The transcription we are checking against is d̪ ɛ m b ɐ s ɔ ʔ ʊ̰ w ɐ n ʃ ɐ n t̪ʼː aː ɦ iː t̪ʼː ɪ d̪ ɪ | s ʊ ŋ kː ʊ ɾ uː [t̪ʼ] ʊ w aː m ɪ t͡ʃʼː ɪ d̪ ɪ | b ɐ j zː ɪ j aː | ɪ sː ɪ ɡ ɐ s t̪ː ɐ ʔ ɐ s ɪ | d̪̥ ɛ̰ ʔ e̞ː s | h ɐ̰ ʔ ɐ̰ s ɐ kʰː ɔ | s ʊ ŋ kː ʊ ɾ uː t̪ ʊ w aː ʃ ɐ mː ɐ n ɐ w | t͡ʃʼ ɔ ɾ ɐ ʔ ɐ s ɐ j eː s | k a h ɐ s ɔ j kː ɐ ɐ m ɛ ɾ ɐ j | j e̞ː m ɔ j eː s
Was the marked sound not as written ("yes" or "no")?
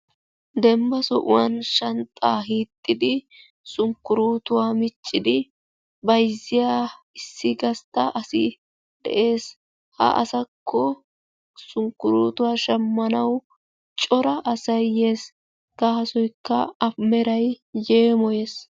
yes